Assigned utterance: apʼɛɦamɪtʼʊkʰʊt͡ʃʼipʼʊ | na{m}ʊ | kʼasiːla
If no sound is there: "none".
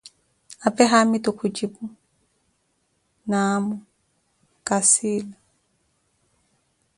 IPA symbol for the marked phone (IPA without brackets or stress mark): m